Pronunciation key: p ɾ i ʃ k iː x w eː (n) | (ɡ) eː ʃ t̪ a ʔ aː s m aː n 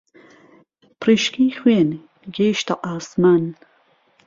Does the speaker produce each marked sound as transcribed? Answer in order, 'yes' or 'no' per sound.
yes, yes

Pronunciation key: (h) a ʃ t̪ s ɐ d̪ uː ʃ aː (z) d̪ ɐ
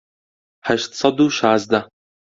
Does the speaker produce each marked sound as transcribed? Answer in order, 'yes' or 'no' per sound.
no, yes

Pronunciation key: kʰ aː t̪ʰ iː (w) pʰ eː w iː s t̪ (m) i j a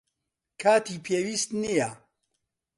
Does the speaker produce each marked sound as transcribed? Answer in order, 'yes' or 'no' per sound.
no, no

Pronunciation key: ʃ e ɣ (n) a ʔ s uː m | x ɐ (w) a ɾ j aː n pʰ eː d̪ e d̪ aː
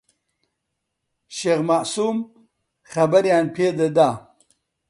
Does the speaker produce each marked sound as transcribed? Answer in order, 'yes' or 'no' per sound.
no, no

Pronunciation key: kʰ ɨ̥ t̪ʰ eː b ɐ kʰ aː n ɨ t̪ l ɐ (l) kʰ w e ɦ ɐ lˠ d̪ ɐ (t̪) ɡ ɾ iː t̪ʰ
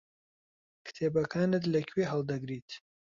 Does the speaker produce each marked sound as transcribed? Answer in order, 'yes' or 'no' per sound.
no, no

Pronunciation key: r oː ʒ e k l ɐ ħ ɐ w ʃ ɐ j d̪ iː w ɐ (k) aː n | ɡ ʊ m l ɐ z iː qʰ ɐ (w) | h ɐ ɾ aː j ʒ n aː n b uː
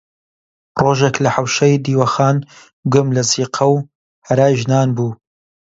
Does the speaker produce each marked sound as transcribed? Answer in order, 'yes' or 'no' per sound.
no, yes

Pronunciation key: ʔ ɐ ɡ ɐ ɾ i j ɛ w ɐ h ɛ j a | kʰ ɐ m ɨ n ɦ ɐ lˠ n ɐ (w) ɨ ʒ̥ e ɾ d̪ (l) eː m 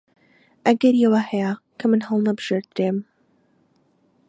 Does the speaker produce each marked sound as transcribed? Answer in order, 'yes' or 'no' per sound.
no, no

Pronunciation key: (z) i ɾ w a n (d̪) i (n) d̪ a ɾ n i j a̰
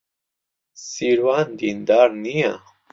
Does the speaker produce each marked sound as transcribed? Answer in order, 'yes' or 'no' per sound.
no, yes, yes

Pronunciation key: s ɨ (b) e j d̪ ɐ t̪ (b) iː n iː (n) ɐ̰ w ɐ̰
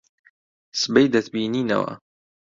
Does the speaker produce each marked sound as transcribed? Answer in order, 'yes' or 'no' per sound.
yes, yes, yes

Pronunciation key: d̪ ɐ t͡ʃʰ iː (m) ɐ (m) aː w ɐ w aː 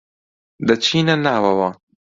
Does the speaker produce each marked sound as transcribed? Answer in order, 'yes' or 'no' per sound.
no, no

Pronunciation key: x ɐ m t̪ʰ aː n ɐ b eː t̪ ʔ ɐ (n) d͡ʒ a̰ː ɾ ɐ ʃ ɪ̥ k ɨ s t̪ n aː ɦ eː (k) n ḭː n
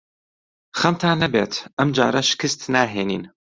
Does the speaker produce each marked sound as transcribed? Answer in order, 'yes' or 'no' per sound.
no, no

